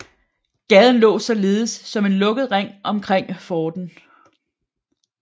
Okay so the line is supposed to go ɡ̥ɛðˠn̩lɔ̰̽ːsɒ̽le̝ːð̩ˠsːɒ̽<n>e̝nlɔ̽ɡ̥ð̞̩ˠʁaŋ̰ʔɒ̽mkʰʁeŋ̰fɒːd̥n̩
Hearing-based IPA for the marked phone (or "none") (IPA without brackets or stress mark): m